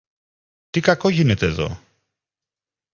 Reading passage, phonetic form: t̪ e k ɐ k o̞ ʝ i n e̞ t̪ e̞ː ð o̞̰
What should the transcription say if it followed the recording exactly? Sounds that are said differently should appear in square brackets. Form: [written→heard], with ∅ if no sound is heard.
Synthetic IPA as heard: t̪ [e→i] k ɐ k o̞ ʝ i n e̞ t̪ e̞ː ð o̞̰